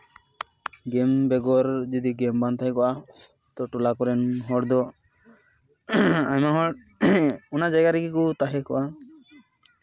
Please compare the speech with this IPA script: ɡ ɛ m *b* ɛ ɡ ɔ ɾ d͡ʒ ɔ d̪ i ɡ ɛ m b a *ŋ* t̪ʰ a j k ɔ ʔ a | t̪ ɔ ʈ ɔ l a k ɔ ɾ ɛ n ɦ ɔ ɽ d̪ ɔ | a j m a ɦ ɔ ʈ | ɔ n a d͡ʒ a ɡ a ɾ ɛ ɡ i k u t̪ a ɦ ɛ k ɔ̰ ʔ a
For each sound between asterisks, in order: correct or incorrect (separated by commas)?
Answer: correct, incorrect